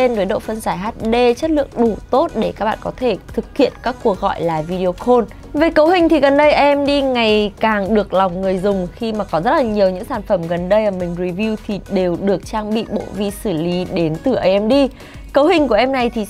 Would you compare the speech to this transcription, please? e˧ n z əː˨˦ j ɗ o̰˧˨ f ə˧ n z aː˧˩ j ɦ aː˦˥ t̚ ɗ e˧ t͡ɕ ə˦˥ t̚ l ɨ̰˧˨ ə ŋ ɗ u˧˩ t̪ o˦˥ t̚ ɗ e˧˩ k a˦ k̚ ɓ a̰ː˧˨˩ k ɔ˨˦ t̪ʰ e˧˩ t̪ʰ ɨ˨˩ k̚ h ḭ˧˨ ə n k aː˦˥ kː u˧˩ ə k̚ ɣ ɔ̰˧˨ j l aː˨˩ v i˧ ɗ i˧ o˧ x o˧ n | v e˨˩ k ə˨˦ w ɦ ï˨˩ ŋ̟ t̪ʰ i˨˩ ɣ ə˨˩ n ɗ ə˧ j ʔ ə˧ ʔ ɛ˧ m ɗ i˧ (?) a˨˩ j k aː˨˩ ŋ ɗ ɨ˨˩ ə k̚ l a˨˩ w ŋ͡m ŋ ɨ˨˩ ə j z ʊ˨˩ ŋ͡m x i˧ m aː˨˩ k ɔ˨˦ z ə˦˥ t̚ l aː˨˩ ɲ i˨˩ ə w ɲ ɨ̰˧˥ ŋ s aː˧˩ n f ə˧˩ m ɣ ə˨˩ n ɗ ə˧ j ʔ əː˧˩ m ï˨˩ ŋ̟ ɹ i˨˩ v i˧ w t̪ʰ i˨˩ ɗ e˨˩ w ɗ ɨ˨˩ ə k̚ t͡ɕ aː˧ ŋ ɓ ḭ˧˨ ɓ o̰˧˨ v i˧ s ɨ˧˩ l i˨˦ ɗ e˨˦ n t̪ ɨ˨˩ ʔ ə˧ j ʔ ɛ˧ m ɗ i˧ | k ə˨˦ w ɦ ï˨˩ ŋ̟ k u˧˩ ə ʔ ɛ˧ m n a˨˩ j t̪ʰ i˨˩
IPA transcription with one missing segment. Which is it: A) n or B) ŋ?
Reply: B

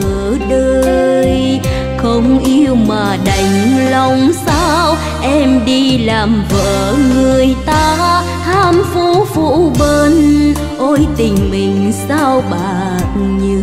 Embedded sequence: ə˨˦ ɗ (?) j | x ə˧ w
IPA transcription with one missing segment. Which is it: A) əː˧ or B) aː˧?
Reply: A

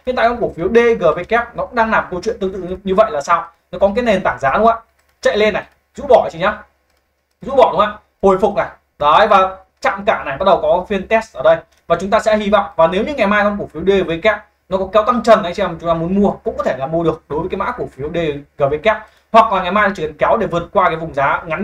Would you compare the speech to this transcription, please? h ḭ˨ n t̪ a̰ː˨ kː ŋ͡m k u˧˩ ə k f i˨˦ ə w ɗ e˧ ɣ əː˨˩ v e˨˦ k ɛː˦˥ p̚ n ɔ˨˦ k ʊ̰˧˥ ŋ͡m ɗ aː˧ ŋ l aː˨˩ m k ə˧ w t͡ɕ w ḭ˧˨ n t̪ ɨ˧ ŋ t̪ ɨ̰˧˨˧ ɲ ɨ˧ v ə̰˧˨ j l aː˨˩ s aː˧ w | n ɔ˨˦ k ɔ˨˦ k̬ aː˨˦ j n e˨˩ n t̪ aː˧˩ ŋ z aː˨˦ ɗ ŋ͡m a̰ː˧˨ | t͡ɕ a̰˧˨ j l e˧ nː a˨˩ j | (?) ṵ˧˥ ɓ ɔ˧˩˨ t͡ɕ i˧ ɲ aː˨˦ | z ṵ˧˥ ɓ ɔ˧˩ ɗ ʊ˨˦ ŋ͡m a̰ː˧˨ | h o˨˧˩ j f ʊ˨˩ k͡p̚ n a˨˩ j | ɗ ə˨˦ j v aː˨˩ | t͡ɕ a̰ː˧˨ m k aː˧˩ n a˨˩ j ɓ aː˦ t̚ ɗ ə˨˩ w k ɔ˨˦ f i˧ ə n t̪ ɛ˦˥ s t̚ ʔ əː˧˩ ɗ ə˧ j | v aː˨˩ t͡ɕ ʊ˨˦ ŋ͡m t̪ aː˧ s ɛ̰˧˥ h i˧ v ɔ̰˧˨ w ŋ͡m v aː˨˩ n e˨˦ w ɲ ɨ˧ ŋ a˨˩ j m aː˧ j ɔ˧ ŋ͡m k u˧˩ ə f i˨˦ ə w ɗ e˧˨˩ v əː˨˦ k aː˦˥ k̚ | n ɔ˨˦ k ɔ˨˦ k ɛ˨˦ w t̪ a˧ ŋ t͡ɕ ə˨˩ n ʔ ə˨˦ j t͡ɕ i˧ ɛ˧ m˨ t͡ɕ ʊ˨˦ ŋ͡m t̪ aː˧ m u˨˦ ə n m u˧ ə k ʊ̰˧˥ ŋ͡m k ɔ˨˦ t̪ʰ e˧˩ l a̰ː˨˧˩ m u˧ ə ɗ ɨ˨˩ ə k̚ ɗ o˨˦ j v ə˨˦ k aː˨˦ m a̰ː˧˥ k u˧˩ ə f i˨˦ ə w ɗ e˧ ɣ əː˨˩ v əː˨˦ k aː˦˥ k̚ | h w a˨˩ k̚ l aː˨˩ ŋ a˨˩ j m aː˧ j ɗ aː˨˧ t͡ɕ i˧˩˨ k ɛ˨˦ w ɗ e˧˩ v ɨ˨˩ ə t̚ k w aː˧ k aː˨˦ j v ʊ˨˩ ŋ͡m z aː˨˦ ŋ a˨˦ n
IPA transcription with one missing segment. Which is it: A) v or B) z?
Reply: B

